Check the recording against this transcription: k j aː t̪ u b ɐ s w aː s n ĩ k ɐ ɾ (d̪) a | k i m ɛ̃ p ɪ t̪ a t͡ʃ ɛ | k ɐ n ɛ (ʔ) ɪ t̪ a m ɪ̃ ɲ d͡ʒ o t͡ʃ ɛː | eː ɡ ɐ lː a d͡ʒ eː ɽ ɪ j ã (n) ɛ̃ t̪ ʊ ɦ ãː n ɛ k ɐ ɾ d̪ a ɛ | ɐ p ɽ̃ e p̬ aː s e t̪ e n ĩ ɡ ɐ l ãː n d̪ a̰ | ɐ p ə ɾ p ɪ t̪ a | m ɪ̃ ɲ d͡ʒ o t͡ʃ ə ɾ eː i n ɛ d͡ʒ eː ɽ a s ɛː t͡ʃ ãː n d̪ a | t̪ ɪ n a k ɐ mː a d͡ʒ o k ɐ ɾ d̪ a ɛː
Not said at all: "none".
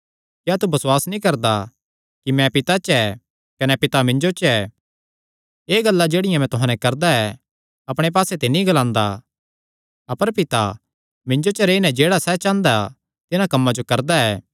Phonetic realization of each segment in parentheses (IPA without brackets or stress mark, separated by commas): d̪, p, m